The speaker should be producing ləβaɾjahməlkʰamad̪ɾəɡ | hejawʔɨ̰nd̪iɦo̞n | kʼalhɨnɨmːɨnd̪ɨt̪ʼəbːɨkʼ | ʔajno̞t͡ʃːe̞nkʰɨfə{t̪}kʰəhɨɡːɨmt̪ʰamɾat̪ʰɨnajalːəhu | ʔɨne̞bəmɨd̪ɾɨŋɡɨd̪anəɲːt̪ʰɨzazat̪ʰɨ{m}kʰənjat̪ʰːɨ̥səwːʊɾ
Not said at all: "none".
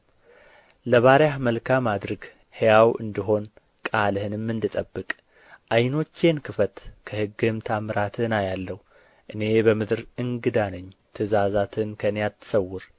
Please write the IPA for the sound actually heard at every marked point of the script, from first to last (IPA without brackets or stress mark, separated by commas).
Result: t̪, n